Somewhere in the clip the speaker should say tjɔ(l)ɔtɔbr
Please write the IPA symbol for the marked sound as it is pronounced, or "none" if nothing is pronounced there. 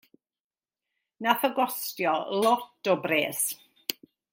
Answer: l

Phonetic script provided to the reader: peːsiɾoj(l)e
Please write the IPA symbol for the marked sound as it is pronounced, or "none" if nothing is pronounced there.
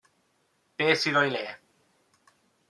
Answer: l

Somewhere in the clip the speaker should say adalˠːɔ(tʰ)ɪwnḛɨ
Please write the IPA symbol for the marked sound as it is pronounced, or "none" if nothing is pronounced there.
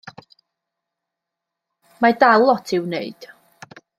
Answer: tʰ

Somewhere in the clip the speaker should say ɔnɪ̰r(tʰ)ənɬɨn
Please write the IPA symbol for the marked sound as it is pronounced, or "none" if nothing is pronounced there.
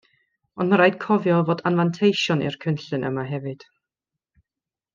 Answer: kʰ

